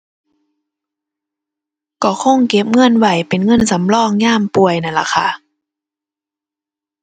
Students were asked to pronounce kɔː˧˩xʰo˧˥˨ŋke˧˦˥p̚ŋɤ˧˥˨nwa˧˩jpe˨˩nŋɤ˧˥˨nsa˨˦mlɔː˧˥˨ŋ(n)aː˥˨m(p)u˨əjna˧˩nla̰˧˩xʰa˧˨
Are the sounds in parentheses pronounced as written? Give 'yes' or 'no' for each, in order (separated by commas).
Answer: no, yes